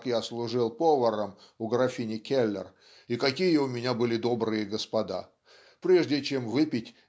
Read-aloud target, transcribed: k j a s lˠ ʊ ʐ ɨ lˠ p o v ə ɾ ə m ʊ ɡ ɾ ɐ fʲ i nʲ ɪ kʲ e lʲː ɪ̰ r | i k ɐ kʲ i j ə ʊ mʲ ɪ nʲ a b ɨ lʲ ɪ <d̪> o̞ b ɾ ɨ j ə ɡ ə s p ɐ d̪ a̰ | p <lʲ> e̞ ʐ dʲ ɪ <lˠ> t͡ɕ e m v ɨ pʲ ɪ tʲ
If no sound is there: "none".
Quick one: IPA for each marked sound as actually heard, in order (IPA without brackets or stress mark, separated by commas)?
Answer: d̪, ɾʲ, none